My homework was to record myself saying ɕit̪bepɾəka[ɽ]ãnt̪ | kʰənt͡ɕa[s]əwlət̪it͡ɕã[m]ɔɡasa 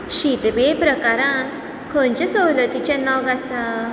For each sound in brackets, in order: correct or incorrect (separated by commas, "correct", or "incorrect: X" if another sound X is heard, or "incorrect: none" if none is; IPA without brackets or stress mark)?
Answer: incorrect: ɾ, correct, incorrect: n